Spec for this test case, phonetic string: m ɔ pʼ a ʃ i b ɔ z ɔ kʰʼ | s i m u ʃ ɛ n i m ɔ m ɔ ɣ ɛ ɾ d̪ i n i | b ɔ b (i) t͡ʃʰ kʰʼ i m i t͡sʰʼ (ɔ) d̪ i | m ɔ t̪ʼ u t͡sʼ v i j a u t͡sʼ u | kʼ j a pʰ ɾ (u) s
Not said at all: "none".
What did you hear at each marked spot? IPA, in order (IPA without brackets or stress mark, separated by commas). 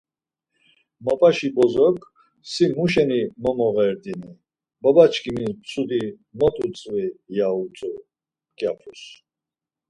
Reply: a, u, u